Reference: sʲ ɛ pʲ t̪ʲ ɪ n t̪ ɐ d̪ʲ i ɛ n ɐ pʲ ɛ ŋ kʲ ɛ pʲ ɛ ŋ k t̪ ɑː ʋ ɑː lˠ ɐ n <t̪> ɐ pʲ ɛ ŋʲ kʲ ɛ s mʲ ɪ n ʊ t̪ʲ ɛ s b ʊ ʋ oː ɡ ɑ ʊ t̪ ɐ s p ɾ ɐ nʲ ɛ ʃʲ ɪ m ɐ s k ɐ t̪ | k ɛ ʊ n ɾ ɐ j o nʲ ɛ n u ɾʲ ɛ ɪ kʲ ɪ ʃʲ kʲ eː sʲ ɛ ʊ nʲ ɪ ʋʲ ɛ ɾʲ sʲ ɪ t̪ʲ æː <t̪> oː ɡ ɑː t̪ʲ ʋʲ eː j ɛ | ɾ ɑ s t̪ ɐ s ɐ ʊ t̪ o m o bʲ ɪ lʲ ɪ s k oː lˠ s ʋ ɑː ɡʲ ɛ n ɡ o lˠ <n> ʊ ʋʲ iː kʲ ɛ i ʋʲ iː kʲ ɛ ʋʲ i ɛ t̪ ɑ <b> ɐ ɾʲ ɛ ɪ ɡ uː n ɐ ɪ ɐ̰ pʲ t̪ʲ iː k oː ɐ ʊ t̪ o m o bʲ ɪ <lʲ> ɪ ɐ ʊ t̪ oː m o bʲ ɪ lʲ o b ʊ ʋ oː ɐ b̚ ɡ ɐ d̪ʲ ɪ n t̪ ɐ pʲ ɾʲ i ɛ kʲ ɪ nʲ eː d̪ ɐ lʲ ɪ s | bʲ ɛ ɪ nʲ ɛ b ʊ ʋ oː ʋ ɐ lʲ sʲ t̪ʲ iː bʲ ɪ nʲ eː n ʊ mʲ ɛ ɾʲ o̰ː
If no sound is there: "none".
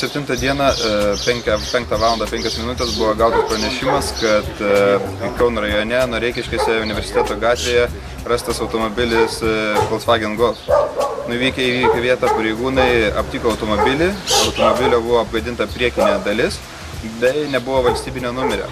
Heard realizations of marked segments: d̪, t̪, n, p, lʲ

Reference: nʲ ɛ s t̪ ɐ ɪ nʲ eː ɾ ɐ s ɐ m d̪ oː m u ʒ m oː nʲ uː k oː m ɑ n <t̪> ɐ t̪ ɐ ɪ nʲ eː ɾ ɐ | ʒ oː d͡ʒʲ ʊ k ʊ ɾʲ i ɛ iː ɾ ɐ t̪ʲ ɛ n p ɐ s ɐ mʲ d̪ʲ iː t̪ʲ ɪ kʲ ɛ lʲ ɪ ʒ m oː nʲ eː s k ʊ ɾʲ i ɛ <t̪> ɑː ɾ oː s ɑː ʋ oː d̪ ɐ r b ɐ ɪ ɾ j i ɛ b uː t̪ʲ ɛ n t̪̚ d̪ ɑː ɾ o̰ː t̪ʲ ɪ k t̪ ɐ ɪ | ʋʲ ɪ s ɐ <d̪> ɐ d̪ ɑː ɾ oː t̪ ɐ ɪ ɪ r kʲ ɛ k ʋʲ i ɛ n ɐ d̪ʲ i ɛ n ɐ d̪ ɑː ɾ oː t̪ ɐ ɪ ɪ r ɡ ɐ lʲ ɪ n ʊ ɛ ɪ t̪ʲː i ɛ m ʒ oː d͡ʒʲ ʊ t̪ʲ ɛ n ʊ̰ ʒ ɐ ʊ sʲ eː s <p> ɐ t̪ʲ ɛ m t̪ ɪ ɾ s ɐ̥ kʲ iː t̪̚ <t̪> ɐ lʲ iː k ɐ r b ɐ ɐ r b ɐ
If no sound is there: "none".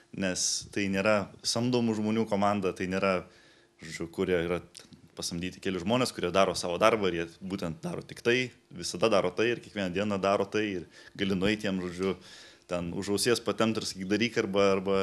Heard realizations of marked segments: d̪, d̪, d̪, p, d̪

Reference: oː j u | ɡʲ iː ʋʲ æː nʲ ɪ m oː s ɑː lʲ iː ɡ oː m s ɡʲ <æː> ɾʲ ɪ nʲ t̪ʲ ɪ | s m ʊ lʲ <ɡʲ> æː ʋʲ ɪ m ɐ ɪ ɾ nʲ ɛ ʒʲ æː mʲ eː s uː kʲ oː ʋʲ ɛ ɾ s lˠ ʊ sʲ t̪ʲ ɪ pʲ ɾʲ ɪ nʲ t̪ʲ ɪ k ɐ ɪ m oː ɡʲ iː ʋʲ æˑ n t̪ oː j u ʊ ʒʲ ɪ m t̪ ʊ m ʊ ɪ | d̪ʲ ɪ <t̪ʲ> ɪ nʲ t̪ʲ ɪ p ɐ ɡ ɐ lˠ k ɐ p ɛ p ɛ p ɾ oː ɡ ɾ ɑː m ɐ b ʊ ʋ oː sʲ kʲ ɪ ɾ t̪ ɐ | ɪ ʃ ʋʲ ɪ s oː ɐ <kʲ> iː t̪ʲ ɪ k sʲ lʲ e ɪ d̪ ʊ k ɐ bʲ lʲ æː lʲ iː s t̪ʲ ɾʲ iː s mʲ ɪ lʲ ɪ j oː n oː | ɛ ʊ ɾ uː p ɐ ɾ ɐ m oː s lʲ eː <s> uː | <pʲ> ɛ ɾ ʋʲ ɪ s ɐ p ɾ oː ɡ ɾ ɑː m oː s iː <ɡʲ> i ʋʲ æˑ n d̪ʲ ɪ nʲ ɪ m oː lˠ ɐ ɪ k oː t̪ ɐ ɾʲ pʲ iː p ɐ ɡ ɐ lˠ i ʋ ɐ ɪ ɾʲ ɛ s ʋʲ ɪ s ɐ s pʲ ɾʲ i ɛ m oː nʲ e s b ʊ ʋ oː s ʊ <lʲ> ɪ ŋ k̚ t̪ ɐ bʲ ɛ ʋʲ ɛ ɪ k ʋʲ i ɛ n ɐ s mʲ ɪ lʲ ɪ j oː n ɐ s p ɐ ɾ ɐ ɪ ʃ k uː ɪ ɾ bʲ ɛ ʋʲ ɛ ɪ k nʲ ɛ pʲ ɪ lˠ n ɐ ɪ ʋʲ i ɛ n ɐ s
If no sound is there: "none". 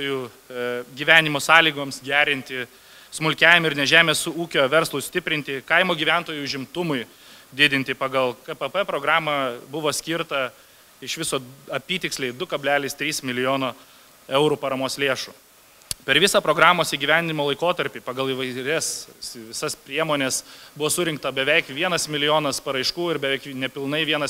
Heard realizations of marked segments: æː, kʲ, d̪ʲ, pʲ, ʃ, pʲ, ɡʲ, ɾʲ

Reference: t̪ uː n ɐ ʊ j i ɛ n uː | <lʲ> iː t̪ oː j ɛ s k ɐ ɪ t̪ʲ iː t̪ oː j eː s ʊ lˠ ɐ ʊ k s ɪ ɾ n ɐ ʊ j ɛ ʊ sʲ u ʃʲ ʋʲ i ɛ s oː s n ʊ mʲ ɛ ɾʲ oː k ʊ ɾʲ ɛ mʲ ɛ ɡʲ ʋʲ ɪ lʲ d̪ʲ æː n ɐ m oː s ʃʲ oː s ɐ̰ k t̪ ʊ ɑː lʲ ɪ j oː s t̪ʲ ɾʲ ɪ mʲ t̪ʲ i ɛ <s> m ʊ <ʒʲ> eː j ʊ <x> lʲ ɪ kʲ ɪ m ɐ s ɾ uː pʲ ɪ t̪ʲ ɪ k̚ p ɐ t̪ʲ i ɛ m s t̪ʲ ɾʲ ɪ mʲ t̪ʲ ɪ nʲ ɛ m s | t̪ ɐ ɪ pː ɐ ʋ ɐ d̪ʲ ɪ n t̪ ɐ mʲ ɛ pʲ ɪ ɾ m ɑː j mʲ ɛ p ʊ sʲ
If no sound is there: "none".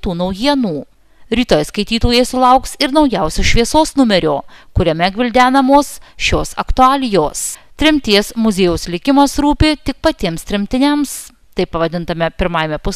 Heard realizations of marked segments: ɾʲ, s, zʲ, s

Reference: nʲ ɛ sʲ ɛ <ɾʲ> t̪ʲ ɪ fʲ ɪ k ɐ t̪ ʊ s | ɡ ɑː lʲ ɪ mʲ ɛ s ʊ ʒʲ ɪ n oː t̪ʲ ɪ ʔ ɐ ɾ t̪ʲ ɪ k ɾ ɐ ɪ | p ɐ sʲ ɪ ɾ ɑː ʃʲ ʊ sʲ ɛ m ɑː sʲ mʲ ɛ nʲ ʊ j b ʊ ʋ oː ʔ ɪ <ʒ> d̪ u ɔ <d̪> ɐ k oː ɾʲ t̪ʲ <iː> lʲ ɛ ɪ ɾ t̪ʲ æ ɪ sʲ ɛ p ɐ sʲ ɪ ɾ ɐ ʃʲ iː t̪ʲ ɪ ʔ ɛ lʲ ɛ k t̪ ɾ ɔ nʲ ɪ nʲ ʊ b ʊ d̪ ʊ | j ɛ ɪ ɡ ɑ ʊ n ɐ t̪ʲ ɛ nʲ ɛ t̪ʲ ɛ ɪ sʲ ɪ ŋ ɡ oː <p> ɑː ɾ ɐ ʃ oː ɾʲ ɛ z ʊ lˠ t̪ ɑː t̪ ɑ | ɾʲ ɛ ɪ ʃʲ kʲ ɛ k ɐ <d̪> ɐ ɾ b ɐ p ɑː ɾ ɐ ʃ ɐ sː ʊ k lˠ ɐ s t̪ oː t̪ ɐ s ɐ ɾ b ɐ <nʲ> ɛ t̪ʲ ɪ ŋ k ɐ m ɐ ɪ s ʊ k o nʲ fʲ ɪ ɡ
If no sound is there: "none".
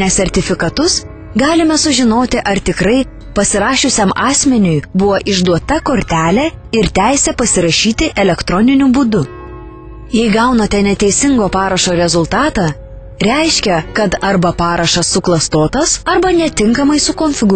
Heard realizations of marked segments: ɾʲ, ʒ, t̪, æː, p, t̪, nʲ

